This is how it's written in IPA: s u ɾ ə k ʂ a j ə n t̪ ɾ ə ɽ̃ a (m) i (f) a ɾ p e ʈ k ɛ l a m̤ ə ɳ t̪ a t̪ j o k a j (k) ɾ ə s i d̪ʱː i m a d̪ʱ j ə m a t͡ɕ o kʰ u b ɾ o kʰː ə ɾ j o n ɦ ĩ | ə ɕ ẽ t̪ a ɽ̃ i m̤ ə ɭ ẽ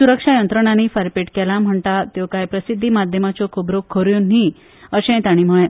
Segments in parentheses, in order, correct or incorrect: incorrect: n, correct, incorrect: p

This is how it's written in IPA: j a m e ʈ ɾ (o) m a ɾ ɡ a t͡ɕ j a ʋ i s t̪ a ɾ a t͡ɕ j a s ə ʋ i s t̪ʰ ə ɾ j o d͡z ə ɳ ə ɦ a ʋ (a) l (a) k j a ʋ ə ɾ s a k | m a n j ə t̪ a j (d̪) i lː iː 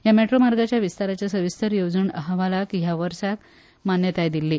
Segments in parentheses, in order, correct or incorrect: correct, correct, correct, correct

